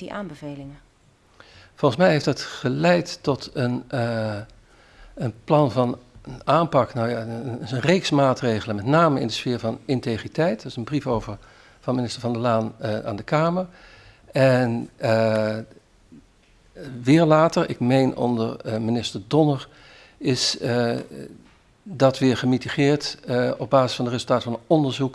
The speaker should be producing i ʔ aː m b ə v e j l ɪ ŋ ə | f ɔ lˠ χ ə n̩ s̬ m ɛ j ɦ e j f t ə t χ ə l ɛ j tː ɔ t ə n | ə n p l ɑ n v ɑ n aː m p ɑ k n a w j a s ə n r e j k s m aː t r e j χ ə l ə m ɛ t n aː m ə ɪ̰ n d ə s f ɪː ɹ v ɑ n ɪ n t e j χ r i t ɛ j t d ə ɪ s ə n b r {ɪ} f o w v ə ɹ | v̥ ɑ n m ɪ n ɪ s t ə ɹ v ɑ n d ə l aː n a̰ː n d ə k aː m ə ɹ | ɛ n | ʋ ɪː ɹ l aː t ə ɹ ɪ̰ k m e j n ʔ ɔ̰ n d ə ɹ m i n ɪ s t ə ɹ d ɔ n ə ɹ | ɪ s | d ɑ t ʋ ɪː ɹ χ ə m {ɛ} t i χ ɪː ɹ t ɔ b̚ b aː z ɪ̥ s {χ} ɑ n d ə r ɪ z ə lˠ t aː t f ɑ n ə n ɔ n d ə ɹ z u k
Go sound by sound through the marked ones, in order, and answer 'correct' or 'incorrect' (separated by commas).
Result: incorrect, incorrect, incorrect